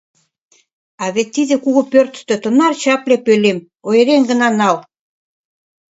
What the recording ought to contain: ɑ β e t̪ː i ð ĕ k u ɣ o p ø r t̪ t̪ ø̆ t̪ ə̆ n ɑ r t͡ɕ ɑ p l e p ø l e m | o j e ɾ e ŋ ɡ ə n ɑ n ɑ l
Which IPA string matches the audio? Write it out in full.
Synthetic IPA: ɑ β e t̪ː i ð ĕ k u ɣ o p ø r t̪ t̪ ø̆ t̪ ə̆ n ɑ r t͡ɕ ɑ p l e p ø l e m | o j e ɾ e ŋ ɡ ə n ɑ n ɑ l

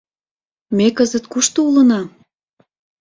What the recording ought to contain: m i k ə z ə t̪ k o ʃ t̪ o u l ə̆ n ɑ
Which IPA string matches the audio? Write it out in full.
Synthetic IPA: m e k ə z ə t̪ k u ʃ t̪ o u l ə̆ n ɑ

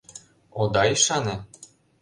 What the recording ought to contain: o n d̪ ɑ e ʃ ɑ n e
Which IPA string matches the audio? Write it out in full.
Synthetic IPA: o d̪ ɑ i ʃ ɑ n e

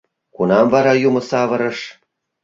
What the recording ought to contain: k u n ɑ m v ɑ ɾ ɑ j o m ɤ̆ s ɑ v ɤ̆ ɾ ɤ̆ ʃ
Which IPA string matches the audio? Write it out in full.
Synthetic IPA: k u n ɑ m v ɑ ɾ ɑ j u m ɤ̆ s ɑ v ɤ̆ ɾ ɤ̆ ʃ

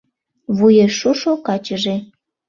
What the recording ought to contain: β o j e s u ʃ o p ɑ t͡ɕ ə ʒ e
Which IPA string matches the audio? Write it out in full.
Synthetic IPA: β u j e ʃ u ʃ o k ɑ t͡ɕ ə ʒ e

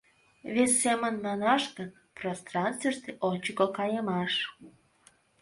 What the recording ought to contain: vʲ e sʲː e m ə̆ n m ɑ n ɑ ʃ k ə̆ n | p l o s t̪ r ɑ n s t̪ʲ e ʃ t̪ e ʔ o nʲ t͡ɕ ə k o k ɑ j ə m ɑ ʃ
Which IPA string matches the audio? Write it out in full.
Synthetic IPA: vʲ e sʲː e m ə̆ n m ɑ n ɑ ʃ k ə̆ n | p r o s t̪ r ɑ n s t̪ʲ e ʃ t̪ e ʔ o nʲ t͡ɕ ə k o k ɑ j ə m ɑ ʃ

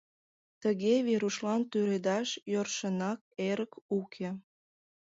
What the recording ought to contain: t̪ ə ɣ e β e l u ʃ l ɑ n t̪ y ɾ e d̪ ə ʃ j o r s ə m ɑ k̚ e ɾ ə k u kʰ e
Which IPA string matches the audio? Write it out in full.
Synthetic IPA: t̪ ə ɣ e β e ɾ u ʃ l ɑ n t̪ y ɾ e d̪ ɑ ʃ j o r ʃ ə n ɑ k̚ e ɾ ə k u kʰ e

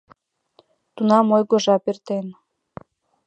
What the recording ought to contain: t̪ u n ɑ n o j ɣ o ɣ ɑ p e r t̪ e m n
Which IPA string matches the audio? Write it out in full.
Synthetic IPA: t̪ u n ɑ m o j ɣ o ʒ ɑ p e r t̪ e n

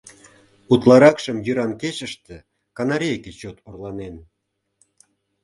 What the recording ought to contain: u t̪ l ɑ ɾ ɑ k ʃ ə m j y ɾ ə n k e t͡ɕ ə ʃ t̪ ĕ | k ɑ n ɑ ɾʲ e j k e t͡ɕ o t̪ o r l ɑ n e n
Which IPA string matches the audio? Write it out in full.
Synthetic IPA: u t̪ l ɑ ɾ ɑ k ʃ ə m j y ɾ ɑ n k e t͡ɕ ə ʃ t̪ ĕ | k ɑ n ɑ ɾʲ e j k e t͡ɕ o t̪ o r l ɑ n e n

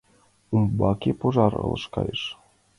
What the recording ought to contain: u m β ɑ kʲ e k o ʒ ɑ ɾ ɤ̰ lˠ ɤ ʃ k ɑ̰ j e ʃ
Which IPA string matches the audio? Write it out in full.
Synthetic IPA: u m b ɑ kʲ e p o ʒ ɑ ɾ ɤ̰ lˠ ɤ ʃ k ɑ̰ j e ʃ

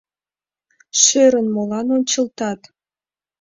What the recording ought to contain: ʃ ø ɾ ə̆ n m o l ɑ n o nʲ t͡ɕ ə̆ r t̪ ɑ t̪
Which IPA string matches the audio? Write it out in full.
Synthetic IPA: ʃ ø ɾ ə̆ n m o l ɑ n o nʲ t͡ɕ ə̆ l t̪ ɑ t̪

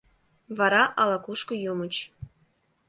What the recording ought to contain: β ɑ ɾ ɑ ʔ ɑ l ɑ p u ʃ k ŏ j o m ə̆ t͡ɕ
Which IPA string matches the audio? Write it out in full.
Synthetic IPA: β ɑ ɾ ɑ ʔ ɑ l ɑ k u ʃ k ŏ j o m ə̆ t͡ɕ

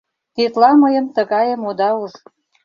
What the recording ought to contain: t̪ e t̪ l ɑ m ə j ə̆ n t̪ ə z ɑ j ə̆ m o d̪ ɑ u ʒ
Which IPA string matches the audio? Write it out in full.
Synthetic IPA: t̪ e t̪ l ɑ m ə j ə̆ m t̪ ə ɣ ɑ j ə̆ m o d̪ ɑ u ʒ

